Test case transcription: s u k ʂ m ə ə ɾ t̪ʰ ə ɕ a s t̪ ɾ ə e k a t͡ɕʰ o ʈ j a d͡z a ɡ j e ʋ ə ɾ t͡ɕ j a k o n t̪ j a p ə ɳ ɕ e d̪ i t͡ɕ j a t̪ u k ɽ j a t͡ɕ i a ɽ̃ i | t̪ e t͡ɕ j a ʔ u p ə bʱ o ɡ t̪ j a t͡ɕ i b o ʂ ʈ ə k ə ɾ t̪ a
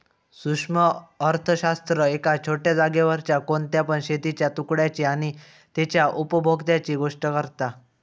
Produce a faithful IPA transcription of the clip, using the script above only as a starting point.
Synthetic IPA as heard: s u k ʂ m ə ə ɾ t̪ʰ ə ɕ a s t̪ ɾ ə e k a t͡ɕʰ o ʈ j a d͡z a ɡ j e ʋ ə ɾ t͡ɕ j a k o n t̪ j a p ə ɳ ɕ e t̪ i t͡ɕ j a t̪ u k ɽ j a t͡ɕ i a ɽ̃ i | t̪ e t͡ɕ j a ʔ u p ə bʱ o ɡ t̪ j a t͡ɕ i ɡ o ʂ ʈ ə k ə ɾ t̪ a